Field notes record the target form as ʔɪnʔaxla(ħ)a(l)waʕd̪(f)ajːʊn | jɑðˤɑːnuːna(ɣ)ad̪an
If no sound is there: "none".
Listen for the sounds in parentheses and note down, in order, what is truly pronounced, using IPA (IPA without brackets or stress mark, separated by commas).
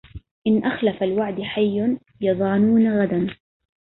f, l, ħ, ɣ